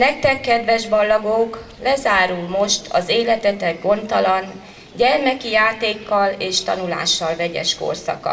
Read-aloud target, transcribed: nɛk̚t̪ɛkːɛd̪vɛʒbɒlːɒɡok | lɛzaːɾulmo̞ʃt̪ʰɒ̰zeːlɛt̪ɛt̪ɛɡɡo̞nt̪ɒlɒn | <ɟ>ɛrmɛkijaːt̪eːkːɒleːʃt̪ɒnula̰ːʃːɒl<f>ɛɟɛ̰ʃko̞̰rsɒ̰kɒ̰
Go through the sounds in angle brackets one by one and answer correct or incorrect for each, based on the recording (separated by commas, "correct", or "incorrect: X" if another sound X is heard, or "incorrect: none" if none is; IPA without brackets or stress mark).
correct, incorrect: v